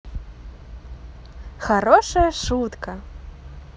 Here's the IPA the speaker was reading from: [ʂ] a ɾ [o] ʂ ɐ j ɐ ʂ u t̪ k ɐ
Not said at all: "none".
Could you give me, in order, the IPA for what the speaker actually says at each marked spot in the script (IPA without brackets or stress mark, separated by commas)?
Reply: x, ɔ